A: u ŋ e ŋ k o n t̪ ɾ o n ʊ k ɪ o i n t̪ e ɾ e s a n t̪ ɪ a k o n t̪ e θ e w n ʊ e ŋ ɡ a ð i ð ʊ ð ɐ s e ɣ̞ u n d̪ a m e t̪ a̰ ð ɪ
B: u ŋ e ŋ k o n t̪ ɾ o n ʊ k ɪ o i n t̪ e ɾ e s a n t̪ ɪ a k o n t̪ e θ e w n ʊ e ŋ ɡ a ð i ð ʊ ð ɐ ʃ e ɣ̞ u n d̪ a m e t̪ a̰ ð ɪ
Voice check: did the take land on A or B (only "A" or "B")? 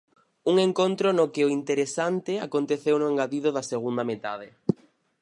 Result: A